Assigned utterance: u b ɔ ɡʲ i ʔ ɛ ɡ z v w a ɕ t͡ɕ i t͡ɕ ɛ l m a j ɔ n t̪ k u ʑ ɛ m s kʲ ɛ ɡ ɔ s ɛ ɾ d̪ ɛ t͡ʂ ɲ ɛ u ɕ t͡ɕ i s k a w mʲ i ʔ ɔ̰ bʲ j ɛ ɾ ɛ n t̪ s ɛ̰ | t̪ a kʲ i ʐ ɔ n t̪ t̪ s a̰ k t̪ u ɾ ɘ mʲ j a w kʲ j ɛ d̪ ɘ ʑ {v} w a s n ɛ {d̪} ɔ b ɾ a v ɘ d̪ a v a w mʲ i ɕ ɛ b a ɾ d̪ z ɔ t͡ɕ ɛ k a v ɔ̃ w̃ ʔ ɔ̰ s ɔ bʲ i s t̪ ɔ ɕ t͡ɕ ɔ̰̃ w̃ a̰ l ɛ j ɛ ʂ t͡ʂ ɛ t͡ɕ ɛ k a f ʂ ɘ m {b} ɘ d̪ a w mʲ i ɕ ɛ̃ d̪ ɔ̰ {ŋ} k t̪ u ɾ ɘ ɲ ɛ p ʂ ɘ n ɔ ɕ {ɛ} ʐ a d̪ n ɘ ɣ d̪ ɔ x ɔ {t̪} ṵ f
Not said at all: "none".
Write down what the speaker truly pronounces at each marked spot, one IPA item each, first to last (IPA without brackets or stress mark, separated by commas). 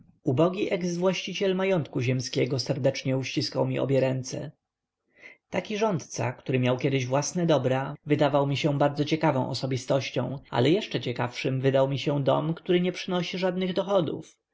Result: v, d̪, v, m, i, d̪